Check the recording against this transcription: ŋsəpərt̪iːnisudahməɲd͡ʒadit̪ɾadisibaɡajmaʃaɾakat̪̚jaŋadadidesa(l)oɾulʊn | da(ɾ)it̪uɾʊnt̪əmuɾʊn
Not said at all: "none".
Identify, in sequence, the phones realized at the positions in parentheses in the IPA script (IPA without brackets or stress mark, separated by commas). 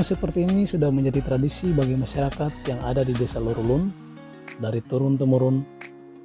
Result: l, ɾ